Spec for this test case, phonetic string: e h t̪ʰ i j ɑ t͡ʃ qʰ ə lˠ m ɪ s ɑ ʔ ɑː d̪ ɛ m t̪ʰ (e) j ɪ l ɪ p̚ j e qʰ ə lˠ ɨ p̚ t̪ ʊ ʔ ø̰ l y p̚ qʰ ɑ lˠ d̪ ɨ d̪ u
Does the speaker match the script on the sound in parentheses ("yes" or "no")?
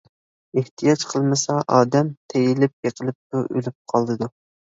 yes